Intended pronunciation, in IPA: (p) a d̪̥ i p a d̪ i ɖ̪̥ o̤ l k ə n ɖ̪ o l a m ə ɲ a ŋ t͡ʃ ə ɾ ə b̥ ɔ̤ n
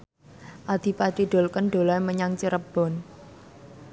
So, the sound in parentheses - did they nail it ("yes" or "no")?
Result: no